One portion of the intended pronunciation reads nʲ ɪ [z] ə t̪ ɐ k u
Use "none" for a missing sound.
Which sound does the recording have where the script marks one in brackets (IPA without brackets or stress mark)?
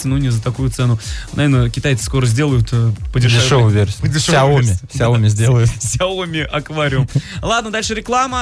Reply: z